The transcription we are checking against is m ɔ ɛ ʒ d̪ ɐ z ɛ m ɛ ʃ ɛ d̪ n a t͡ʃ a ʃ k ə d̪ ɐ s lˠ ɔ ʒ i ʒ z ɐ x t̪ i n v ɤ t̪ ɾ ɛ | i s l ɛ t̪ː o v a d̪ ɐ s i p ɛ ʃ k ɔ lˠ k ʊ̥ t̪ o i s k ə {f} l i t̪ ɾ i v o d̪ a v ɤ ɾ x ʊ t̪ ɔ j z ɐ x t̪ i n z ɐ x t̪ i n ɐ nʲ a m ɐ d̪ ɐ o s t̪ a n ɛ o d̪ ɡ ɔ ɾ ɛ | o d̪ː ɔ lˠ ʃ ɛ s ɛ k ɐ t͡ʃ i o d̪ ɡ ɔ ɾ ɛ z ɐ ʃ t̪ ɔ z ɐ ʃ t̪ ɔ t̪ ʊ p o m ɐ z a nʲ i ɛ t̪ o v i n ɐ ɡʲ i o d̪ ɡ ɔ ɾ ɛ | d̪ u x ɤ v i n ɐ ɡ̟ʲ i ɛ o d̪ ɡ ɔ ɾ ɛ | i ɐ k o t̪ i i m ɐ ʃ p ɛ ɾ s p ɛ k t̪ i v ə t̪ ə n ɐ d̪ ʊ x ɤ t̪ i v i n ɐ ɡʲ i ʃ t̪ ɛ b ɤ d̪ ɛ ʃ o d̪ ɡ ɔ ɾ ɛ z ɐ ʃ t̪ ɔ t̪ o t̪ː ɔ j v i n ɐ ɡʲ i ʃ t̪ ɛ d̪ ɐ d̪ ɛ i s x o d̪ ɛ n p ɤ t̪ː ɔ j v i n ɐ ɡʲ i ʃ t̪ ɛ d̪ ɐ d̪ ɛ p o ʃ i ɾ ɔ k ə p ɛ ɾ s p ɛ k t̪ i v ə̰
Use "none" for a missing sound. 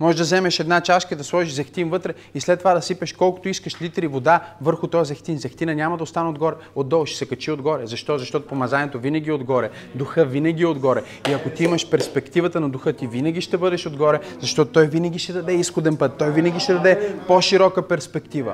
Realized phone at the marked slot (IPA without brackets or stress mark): ʃ